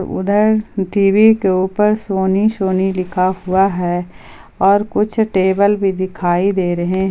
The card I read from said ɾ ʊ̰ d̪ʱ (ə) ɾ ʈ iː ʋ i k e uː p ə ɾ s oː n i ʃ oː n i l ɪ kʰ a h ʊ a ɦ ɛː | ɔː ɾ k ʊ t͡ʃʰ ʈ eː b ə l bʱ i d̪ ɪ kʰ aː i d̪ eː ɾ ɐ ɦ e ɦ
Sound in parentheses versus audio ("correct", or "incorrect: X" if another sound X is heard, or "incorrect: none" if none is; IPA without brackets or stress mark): correct